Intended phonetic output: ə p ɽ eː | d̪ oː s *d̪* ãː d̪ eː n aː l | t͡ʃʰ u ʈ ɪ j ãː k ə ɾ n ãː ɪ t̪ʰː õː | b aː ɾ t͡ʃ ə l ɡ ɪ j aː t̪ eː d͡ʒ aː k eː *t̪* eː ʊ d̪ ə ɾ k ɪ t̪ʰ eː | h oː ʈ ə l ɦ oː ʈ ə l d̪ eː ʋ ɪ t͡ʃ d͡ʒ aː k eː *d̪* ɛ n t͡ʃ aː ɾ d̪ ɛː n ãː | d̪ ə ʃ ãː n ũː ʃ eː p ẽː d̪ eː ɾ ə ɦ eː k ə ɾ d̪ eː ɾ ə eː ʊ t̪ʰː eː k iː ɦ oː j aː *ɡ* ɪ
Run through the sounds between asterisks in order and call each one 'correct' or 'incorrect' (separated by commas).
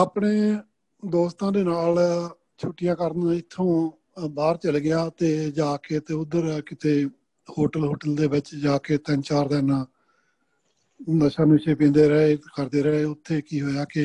incorrect, correct, incorrect, incorrect